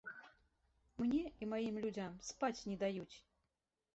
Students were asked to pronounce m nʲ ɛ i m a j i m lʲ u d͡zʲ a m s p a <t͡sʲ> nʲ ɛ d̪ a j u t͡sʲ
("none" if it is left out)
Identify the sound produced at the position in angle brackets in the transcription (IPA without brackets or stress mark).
t͡sʲ